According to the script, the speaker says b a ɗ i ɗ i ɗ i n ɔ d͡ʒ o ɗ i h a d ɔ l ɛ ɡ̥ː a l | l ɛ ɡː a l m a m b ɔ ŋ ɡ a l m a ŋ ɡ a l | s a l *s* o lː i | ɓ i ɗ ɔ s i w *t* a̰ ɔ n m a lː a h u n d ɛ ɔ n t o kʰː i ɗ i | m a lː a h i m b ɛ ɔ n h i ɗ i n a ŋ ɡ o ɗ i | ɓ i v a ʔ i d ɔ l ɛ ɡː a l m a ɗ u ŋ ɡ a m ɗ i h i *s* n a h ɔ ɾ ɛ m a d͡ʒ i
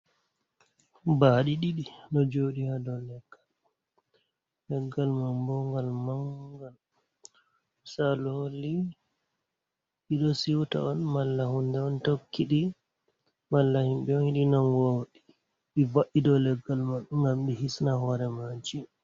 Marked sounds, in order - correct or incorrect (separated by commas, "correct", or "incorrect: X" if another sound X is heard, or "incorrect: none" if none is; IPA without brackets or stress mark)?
incorrect: h, correct, correct